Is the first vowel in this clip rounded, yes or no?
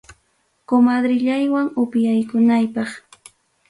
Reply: yes